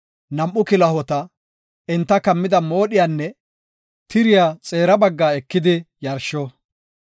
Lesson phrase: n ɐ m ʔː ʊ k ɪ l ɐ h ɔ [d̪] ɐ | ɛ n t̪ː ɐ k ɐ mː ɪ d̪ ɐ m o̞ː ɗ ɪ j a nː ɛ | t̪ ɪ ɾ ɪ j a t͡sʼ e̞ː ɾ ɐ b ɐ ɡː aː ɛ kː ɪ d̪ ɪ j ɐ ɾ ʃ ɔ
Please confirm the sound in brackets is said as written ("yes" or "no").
no